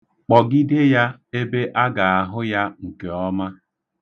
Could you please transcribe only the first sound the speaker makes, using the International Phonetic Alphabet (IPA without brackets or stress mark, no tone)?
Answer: k͡p